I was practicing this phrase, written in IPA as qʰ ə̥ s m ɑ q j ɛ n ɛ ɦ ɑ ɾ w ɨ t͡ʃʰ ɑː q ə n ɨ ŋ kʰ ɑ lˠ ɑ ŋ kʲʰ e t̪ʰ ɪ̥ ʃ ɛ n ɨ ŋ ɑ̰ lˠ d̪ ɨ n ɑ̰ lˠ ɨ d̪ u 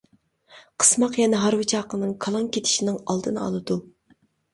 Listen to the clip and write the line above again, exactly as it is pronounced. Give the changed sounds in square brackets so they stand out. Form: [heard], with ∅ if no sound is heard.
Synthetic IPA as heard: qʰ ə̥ s m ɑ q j ɛ n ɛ ɦ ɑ ɾ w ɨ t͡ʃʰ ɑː q ə n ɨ ŋ kʰ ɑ lˠ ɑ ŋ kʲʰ e t̪ʰ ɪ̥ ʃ [i] n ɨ ŋ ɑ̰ lˠ d̪ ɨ n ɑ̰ lˠ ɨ d̪ u